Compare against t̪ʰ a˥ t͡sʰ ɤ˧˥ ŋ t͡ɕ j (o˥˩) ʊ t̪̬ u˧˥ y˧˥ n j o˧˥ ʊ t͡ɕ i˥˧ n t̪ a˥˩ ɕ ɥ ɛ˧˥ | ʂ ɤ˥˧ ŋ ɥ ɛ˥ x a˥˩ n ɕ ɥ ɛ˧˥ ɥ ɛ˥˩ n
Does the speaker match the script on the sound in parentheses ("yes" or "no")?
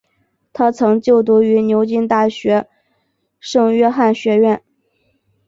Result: yes